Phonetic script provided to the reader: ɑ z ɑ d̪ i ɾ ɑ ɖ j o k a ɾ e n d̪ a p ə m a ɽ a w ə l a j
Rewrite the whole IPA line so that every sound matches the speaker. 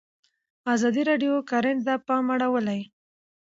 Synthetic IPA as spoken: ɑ z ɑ d̪ i ɾ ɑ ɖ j o k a ɾ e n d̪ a p ɑ m a ɽ a w ə l a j

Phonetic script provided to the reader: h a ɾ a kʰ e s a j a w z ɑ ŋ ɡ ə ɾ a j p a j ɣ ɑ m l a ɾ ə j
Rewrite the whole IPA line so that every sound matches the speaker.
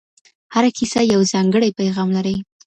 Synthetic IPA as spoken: h a ɾ a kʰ i s a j a w z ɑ ŋ ɡ ə ɽ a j p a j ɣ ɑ m l a ɾ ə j

